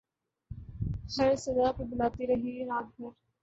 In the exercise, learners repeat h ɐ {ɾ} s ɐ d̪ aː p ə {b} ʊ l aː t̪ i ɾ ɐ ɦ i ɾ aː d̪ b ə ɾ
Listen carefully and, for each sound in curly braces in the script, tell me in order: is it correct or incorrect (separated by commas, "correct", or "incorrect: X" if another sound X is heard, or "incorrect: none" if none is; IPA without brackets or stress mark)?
correct, correct